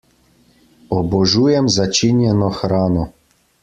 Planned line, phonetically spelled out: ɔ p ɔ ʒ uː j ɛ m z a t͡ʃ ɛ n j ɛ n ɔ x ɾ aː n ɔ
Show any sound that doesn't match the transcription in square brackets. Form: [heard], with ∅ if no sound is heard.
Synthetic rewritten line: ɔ [b] ɔ ʒ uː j ɛ m z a t͡ʃ [i] n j ɛ n ɔ x ɾ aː n ɔ